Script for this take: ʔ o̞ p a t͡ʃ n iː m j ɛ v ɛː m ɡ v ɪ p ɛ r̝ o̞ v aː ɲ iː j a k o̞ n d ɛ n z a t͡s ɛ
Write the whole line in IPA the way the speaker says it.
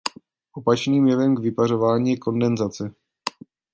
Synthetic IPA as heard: ʔ o̞ p a t͡ʃ n iː m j ɛ v ɛ m ɡ v ɪ p a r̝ o̞ v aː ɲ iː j ɛ k o̞ n d ɛ n z a t͡s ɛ